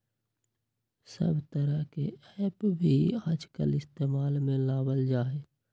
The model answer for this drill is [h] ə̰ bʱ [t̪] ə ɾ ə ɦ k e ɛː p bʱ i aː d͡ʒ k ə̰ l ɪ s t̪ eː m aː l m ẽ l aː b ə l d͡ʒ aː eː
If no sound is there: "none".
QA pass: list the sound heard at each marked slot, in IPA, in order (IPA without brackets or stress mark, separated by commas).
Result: s, t̪